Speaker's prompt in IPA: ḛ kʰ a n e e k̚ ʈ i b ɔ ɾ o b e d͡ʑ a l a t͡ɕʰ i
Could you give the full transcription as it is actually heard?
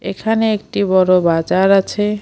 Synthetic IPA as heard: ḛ kʰ a n e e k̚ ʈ i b ɔ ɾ o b a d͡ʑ a ɾ a t͡ɕʰ e